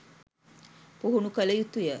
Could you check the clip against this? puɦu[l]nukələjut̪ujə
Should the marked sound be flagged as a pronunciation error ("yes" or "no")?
yes